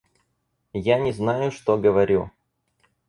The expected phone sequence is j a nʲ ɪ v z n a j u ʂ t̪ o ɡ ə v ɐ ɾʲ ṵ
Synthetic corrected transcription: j a nʲ ɪ z n a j ʊ ʂ t̪ o ɡ ə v ɐ ɾʲ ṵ